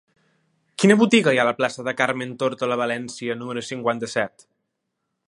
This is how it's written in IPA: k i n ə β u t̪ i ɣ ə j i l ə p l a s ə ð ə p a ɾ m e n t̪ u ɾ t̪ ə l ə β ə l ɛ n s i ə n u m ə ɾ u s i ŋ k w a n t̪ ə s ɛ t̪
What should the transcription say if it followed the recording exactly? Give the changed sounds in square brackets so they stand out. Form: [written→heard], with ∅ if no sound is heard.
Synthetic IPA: k i n ə β u t̪ i ɣ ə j [i→a] l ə p l a s ə ð ə [p→k] a ɾ m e n t̪ [u→o] ɾ t̪ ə l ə β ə l ɛ n s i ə n u m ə ɾ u s i ŋ k w a n t̪ ə s ɛ t̪